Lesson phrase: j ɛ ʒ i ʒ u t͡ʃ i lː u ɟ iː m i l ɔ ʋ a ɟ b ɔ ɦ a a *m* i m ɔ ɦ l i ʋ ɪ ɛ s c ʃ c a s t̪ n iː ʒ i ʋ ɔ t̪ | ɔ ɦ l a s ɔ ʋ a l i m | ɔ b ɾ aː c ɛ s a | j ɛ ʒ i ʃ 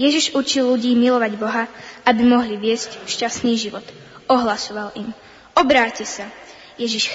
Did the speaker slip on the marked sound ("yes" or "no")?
yes